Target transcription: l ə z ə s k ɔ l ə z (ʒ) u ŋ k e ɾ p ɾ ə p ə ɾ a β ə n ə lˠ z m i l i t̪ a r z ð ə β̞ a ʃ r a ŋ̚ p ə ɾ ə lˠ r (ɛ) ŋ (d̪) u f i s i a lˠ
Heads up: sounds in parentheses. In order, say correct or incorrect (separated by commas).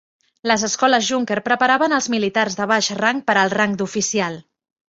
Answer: correct, incorrect, correct